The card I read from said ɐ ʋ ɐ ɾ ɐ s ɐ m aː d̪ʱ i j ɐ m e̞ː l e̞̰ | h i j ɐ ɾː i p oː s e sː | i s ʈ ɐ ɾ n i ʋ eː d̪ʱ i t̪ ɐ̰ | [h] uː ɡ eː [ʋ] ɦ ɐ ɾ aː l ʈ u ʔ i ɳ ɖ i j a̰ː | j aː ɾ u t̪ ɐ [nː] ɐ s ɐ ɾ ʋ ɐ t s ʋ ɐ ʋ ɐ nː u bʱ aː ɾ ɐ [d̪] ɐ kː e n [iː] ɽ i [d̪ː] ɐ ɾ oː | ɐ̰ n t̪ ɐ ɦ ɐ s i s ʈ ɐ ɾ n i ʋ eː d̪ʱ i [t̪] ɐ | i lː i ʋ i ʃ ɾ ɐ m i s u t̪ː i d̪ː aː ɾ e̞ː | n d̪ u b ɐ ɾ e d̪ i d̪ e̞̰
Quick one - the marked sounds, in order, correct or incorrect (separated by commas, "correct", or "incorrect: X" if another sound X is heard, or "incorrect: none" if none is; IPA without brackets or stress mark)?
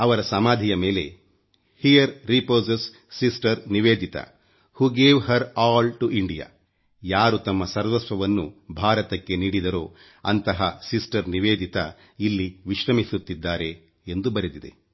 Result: correct, correct, incorrect: mː, incorrect: t̪, correct, incorrect: d̪, correct